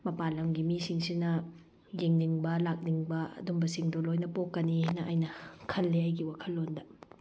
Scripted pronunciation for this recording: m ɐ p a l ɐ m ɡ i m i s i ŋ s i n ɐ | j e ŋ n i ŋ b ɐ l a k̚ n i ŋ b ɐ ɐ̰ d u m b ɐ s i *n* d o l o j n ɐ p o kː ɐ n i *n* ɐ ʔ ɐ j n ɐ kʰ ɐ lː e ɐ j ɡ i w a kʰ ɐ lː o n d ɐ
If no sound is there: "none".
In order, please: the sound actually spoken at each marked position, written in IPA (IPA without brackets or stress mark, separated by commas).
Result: ŋ, n